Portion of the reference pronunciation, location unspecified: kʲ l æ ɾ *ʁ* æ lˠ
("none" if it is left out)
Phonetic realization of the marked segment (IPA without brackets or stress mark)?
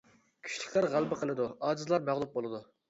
ʁ